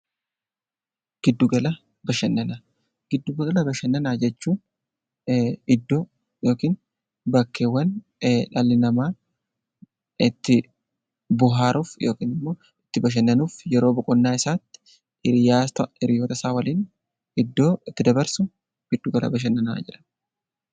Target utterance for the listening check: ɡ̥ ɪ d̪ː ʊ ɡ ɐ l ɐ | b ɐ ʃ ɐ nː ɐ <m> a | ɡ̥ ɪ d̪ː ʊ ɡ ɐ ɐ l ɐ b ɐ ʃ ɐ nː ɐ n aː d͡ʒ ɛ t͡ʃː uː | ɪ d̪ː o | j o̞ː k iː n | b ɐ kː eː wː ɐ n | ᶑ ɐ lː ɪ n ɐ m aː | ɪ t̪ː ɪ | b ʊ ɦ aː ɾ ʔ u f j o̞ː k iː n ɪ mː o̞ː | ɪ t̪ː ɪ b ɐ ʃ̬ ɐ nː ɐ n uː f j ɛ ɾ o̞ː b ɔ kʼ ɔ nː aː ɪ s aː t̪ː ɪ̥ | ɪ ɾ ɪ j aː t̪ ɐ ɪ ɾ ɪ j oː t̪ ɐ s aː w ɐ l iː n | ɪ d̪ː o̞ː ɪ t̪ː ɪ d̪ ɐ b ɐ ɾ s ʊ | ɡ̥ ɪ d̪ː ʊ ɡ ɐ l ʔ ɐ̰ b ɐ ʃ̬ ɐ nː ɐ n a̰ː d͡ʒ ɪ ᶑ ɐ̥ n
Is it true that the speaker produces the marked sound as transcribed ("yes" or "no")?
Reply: no